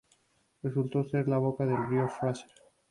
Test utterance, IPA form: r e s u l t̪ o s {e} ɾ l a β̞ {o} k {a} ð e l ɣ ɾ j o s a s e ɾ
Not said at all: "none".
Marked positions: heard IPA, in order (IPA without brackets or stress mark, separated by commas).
e, o, a